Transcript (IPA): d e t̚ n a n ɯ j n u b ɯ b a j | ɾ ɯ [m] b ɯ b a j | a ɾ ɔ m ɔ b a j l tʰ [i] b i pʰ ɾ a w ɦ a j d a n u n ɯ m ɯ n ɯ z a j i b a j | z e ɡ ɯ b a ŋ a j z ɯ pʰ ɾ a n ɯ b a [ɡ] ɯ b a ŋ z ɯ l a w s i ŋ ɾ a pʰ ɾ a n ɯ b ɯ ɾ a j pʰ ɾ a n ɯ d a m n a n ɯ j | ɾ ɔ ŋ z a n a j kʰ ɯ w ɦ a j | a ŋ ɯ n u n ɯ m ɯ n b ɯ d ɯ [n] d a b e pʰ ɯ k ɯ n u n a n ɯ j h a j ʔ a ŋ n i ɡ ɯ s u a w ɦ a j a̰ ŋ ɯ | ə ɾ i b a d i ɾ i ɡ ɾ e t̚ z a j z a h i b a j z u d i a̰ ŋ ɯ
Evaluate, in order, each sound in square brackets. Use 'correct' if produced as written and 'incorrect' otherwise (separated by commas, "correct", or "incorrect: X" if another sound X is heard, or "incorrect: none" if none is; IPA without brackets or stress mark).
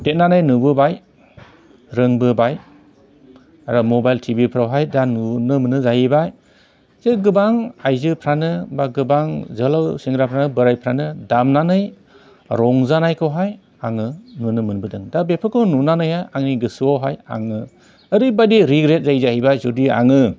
incorrect: ŋ, correct, correct, incorrect: ŋ